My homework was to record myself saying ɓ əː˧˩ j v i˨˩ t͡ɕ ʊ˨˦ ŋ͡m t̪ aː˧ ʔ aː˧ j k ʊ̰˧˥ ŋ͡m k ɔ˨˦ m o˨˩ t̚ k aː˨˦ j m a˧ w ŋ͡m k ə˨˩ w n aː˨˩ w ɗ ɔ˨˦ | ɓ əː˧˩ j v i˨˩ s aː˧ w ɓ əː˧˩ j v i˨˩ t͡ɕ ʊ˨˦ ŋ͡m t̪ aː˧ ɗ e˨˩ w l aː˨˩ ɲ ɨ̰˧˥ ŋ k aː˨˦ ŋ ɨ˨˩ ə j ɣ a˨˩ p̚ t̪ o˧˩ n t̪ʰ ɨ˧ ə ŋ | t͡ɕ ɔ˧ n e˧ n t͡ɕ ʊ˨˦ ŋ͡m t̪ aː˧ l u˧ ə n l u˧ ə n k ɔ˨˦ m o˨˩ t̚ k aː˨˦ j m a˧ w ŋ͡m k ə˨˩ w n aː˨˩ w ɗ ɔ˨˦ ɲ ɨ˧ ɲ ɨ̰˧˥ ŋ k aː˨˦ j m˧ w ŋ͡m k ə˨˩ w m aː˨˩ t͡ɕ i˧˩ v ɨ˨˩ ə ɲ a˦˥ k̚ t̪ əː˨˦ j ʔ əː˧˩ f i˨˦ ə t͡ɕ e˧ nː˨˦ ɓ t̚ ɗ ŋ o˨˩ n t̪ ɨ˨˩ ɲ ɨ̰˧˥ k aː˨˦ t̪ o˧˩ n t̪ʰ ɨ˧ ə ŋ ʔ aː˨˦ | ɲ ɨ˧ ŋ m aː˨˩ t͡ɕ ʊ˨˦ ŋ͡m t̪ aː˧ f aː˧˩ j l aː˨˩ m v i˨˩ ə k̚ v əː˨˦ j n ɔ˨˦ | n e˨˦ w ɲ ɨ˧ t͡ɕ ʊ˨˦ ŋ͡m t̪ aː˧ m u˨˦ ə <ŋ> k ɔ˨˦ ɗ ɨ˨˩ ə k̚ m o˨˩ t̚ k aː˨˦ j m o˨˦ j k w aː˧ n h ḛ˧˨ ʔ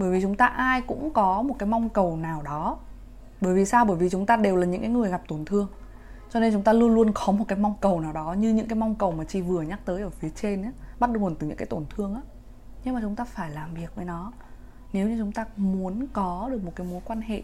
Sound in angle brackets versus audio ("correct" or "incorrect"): incorrect